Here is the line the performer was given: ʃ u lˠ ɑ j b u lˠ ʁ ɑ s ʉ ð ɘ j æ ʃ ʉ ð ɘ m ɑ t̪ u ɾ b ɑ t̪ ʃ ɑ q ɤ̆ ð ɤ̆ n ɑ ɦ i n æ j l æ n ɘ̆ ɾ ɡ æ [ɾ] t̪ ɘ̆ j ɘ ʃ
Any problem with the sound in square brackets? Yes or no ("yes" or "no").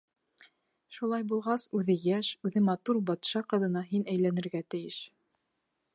yes